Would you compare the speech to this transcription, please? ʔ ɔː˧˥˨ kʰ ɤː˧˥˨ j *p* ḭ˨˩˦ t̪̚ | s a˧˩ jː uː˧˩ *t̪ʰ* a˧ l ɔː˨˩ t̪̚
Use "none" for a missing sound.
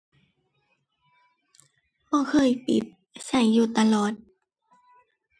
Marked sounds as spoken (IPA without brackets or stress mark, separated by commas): p, t̪